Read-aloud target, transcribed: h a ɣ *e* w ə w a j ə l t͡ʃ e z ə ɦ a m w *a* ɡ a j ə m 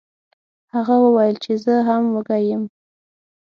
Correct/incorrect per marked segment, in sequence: incorrect, incorrect

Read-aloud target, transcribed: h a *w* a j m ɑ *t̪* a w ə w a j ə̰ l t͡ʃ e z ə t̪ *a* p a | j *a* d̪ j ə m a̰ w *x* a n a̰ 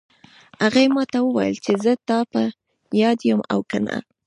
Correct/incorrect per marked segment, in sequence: incorrect, correct, incorrect, incorrect, incorrect

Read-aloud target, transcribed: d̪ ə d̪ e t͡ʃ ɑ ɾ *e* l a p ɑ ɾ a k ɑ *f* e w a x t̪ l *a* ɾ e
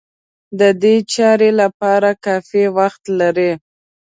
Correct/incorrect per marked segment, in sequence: correct, correct, correct

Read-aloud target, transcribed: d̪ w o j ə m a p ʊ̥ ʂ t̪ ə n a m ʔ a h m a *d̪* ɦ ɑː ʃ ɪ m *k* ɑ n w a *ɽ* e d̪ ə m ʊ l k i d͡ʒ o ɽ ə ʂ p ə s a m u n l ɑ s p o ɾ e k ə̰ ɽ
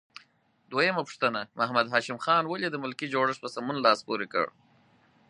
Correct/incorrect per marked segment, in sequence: correct, incorrect, incorrect

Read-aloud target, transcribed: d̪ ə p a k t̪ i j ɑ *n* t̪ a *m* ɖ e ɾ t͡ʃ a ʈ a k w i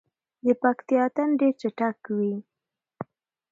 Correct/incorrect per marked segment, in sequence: incorrect, incorrect

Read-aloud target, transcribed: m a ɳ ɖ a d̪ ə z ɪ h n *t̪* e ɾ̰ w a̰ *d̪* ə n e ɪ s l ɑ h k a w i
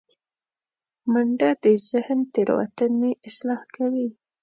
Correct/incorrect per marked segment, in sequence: correct, incorrect

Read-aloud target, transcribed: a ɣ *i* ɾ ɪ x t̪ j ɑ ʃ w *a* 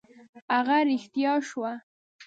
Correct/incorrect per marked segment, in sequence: incorrect, correct

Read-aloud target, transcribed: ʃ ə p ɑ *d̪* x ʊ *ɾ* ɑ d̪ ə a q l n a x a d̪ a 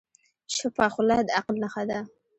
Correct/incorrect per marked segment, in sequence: incorrect, incorrect

